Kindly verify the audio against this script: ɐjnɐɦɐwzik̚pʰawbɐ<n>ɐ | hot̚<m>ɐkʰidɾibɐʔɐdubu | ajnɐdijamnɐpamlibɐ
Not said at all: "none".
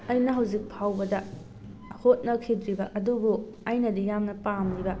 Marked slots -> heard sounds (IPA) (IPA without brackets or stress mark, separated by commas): d, n